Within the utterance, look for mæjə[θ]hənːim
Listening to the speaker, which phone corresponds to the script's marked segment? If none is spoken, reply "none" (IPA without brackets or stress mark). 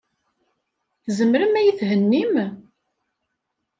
θ